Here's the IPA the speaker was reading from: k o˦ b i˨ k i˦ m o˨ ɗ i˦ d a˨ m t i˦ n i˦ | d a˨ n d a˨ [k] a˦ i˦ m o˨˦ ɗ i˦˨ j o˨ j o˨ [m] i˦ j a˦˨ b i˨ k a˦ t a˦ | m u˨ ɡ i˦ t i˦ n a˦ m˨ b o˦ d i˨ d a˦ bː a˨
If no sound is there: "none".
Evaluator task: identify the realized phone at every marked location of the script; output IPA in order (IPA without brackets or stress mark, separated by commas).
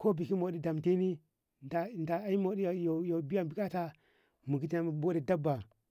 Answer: none, b